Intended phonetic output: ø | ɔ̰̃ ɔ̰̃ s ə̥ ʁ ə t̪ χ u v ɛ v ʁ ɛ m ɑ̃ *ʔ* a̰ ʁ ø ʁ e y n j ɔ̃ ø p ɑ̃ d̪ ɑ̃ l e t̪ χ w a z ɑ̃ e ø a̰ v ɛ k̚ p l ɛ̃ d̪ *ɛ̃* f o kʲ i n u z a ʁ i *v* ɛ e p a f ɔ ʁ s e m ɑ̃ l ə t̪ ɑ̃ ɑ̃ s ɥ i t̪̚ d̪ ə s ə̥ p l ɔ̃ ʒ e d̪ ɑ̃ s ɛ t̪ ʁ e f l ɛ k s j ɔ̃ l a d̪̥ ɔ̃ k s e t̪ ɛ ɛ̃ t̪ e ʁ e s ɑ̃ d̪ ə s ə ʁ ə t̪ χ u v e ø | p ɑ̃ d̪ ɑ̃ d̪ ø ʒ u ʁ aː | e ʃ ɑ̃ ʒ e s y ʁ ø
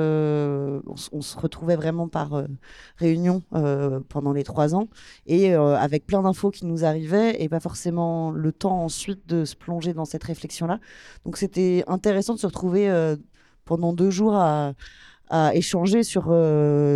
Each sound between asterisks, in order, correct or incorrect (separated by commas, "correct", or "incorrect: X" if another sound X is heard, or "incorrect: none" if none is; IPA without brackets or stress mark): incorrect: p, correct, correct